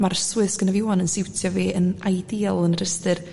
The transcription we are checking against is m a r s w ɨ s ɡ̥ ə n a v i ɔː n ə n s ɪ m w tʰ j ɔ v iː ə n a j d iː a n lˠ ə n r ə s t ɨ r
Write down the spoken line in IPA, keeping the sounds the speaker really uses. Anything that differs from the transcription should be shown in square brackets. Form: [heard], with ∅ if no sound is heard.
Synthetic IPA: m a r s w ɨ s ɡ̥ ə n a v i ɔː n ə n s ɪ [∅] w tʰ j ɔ v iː ə n a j d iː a [∅] lˠ ə n r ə s t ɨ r